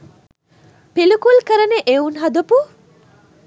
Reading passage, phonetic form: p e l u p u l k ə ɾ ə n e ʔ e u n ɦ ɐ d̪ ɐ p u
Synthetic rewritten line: p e l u k u l k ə ɾ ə n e ʔ e u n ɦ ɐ d̪ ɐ p u